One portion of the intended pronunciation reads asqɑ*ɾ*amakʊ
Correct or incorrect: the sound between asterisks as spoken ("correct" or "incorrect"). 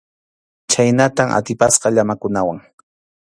incorrect